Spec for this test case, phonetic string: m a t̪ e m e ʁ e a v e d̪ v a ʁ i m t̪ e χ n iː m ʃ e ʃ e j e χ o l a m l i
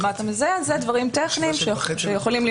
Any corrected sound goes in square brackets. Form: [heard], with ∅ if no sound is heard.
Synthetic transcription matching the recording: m a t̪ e m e [z] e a [z] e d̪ v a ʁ i m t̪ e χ n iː m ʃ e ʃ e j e χ o l [i] m l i